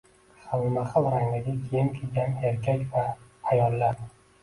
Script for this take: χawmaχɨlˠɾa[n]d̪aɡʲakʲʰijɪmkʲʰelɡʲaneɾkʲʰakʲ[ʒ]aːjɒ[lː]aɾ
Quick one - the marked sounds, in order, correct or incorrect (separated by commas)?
incorrect, incorrect, correct